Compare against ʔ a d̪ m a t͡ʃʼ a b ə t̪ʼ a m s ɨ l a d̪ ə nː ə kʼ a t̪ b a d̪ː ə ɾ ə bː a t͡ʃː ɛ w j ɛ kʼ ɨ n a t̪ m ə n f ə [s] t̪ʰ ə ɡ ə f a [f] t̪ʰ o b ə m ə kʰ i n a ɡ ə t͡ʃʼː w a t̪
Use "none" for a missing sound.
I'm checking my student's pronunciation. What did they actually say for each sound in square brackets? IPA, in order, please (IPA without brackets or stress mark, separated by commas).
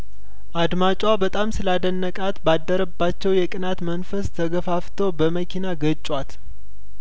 s, f